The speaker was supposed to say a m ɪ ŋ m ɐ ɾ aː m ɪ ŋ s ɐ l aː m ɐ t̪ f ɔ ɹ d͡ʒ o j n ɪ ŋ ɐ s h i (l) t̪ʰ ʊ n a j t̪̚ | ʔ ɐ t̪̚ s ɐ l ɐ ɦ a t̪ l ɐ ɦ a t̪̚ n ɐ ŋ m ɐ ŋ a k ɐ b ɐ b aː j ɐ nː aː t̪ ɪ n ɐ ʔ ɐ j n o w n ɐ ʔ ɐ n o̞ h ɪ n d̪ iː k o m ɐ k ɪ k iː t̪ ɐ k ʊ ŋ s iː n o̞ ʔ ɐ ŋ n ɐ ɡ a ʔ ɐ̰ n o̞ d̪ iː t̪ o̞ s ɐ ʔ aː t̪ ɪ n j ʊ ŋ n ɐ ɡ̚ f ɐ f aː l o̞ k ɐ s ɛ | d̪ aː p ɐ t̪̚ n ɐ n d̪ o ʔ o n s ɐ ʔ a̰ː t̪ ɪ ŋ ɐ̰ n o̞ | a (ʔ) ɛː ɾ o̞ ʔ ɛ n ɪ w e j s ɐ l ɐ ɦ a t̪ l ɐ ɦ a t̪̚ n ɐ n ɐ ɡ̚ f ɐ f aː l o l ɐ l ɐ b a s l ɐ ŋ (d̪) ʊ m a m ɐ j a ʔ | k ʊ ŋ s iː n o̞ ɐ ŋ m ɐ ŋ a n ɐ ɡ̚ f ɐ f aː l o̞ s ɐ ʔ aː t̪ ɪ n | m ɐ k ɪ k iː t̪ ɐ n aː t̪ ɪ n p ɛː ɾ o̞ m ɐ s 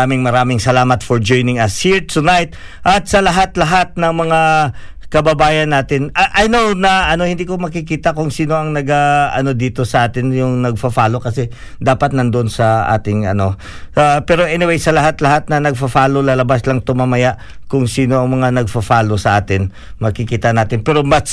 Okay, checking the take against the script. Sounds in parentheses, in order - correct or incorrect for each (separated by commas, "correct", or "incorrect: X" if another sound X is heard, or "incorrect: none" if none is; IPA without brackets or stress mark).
incorrect: ɹ, incorrect: p, incorrect: t̪